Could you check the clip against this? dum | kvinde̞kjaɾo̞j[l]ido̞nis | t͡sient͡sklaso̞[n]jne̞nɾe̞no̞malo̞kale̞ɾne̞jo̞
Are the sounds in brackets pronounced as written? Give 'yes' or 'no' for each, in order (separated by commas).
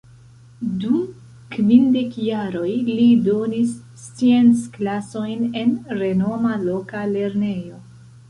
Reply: yes, no